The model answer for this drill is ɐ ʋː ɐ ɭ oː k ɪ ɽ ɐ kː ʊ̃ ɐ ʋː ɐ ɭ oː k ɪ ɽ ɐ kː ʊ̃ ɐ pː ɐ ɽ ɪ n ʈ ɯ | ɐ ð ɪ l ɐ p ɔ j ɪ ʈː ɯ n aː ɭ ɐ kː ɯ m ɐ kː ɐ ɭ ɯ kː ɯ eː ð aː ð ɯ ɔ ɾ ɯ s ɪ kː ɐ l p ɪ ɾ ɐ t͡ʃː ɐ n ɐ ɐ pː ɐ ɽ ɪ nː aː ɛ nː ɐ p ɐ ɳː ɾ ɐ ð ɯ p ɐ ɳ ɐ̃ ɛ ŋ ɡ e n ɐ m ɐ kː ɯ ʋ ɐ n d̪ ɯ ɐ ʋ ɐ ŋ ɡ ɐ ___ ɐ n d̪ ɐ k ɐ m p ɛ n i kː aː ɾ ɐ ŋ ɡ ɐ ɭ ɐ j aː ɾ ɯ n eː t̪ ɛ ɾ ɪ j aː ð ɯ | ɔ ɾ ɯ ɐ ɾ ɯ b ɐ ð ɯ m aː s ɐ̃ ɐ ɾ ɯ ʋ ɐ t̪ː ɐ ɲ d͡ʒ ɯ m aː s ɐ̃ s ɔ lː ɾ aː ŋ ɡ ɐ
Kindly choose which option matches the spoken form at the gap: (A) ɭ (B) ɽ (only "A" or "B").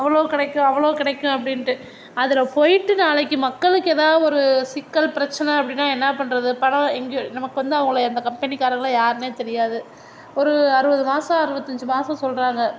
A